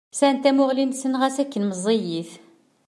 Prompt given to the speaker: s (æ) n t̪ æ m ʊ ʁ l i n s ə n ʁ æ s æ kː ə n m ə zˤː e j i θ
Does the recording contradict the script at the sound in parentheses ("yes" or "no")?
no